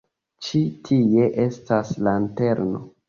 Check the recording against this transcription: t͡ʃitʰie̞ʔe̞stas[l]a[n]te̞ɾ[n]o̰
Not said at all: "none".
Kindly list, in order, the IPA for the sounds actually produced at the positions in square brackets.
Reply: l, n, n

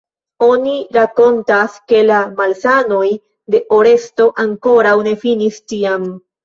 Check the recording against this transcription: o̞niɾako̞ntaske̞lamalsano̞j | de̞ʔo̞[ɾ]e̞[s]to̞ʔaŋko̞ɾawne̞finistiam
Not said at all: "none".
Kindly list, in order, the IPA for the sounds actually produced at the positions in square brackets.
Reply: ɾ, s

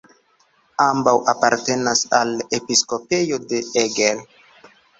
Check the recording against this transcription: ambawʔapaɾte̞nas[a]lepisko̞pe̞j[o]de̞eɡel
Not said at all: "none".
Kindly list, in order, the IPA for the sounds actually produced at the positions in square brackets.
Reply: a, o

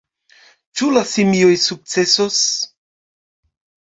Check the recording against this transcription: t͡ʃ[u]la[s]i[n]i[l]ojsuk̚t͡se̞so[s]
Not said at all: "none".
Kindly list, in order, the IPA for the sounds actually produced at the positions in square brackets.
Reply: u, s, m, none, s

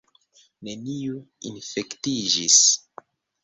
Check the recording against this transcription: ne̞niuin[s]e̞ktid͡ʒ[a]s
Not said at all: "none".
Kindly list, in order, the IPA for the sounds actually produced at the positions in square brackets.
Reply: f, i

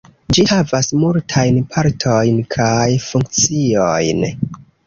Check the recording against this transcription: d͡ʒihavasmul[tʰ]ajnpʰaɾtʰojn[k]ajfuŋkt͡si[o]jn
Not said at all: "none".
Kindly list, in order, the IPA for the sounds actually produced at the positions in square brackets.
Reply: tʰ, kʰ, o

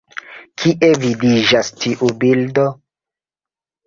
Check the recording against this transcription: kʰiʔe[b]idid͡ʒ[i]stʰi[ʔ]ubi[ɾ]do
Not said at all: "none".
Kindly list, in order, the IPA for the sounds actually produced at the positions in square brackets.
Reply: v, a, ʔ, l

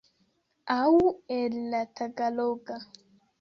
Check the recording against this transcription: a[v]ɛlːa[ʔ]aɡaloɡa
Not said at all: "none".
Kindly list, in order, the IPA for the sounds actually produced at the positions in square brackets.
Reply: w, t

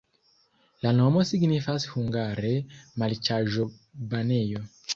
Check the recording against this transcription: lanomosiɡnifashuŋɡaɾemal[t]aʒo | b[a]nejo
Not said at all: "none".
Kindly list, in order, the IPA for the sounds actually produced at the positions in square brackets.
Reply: t͡ʃ, a

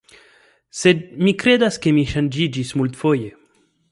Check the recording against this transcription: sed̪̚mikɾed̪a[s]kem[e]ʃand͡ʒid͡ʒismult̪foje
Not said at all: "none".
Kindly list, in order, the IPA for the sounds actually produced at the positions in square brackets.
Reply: s, i

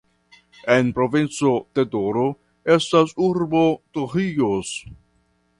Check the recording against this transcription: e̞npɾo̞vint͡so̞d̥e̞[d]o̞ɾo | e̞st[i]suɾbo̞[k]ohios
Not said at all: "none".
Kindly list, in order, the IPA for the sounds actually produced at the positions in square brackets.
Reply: d, a, t

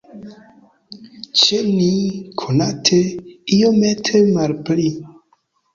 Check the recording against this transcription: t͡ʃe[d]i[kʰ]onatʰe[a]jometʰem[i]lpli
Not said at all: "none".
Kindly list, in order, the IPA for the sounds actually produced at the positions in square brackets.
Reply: n, kʰ, i, a

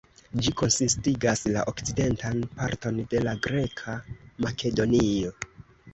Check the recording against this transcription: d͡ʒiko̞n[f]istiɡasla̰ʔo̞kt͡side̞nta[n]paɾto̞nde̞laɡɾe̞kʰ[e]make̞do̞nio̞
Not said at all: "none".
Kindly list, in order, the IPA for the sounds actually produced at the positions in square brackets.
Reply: s, n, a

